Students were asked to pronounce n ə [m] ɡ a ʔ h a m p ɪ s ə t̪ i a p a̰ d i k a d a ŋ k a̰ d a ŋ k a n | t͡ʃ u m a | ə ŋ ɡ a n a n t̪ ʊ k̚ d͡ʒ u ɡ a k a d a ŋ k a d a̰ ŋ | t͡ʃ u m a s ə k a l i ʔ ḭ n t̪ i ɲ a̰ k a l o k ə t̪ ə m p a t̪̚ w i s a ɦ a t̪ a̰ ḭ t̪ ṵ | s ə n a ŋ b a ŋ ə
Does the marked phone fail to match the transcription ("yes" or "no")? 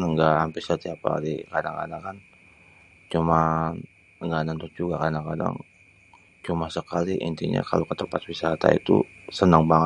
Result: yes